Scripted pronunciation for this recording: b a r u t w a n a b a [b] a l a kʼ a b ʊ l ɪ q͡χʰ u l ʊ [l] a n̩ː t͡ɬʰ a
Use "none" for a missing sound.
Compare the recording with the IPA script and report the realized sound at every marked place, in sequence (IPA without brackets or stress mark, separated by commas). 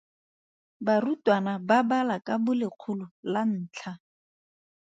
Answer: b, l